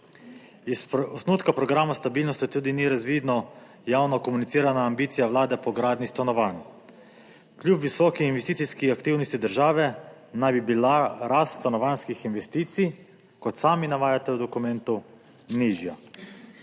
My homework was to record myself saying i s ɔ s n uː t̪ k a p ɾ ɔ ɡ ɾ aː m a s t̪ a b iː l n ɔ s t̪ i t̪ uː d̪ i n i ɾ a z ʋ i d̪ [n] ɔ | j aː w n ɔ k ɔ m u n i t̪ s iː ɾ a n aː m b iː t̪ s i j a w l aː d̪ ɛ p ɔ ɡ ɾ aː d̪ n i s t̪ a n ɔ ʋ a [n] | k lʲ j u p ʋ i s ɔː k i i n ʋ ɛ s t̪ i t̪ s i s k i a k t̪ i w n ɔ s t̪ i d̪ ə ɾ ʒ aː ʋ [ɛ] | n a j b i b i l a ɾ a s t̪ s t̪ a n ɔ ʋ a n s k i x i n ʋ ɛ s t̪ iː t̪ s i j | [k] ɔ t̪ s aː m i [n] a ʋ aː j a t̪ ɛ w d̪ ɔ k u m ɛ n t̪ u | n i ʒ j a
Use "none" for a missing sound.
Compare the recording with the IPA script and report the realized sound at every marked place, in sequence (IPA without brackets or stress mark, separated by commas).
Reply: n, n, ɛ, k, n